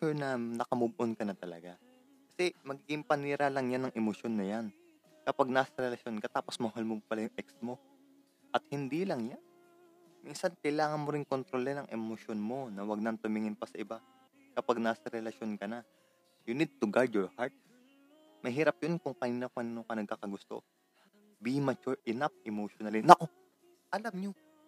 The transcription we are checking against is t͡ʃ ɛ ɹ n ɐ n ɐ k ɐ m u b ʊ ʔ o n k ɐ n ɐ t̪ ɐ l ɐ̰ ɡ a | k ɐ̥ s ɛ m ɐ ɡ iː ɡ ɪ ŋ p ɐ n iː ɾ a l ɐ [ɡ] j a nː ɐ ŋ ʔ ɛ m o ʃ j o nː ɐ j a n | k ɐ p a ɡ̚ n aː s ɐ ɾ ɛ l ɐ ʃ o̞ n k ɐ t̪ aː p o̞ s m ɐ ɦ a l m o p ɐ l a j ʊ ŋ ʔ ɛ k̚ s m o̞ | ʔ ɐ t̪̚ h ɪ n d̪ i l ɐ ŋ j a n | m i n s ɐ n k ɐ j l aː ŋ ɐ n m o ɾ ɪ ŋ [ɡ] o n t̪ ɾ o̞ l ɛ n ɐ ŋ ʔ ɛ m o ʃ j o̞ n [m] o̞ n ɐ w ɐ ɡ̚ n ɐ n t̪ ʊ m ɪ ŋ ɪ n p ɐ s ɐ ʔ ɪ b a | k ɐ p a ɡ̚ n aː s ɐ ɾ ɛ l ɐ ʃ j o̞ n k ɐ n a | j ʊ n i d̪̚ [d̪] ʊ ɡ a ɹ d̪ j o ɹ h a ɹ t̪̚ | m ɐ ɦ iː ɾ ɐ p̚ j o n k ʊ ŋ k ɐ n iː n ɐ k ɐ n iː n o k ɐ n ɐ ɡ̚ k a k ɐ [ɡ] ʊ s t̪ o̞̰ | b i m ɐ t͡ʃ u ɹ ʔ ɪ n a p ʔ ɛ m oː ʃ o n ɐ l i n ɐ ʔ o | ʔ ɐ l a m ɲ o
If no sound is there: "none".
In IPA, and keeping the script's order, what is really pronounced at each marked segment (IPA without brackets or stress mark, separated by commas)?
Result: ŋ, k, m, t̪, ɡ